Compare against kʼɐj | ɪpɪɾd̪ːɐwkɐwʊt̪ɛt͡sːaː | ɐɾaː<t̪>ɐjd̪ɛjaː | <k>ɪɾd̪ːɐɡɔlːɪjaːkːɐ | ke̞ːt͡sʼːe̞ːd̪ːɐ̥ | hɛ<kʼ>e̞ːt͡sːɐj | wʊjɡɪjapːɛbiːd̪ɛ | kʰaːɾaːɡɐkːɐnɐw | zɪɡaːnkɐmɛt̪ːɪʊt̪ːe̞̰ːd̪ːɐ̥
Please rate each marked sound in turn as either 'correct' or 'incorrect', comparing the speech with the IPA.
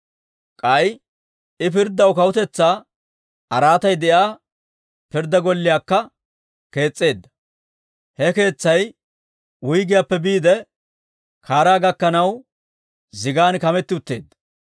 correct, incorrect, incorrect

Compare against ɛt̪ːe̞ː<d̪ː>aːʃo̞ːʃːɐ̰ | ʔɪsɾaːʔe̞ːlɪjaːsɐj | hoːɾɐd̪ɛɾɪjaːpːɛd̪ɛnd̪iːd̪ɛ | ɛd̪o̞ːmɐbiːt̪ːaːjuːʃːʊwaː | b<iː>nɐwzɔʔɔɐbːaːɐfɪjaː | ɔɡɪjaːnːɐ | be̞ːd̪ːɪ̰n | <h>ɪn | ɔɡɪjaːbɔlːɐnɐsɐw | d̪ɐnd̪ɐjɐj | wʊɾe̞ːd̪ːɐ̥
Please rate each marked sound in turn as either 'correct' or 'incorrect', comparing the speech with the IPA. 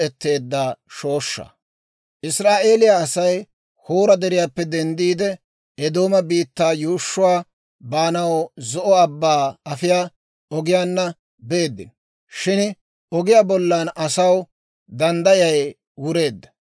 correct, incorrect, incorrect

